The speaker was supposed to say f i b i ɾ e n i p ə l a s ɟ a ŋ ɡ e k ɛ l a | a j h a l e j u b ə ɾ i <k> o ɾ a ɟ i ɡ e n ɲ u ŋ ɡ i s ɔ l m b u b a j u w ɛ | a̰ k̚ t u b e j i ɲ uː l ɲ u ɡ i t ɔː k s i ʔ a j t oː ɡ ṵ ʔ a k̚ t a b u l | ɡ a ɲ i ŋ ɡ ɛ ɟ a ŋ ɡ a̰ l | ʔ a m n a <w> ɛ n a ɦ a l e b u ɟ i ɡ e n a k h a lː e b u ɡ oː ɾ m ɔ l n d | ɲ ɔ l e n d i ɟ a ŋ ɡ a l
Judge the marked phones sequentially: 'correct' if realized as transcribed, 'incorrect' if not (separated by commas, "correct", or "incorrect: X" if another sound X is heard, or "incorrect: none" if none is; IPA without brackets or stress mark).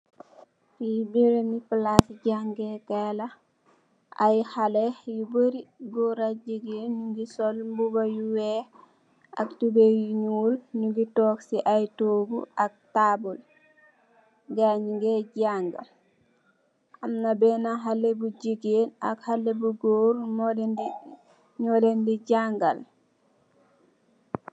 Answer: incorrect: ɡ, incorrect: b